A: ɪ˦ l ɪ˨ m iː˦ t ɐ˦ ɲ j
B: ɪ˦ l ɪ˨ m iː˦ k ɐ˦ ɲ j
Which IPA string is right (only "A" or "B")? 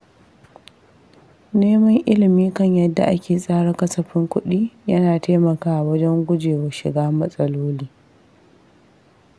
B